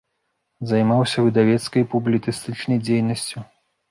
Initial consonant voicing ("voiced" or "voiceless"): voiced